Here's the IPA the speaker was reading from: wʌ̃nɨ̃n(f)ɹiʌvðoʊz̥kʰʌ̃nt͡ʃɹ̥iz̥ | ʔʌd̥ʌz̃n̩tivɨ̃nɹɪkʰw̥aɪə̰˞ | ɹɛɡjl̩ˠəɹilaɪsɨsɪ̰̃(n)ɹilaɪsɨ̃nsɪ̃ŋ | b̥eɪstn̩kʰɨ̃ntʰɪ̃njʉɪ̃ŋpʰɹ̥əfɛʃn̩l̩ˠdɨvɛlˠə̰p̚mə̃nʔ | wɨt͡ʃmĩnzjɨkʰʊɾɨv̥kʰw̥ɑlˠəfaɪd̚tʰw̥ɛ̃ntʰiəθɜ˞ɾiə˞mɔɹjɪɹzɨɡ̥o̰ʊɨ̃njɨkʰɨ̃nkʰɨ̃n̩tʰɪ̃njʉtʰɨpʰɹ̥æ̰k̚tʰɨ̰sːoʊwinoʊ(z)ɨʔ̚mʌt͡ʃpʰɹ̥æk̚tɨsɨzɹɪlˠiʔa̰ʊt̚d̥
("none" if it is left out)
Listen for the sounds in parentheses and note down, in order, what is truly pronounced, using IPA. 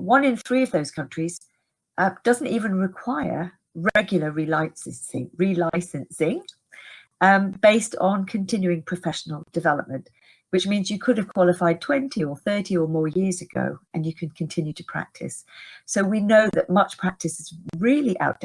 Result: θ, ŋ, ð

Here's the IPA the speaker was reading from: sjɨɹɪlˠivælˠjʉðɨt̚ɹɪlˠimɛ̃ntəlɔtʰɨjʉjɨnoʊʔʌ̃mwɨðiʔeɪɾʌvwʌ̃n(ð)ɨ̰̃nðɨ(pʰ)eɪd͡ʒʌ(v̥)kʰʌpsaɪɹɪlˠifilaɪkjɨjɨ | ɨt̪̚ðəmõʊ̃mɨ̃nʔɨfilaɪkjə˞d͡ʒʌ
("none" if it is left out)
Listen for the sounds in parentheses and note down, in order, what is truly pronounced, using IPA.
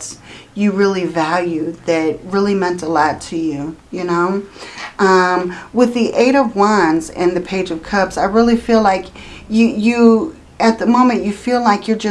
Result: z, pʰ, v̥

